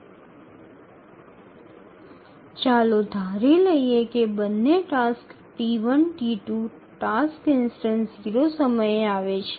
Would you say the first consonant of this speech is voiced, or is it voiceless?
voiceless